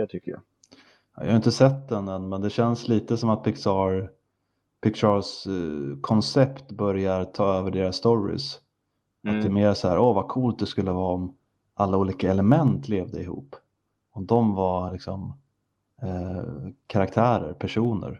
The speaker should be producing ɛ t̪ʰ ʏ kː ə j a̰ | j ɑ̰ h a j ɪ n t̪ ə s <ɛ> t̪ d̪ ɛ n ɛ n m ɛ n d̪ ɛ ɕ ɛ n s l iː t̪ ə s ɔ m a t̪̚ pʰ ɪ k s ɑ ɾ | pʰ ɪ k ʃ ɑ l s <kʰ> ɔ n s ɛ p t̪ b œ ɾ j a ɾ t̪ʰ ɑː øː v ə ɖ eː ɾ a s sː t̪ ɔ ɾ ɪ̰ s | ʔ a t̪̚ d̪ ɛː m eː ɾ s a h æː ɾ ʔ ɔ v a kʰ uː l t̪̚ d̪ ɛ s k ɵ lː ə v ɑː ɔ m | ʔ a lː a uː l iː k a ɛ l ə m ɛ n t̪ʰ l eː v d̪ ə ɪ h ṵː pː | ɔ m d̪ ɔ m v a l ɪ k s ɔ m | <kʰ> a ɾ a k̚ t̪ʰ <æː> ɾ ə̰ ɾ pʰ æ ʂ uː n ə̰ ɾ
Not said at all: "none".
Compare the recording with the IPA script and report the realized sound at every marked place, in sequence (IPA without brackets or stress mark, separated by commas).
ɛ, kʰ, kʰ, æː